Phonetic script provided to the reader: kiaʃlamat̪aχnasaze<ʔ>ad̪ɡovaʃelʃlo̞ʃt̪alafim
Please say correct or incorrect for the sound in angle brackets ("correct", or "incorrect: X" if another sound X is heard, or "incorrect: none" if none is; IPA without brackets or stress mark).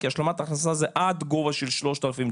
correct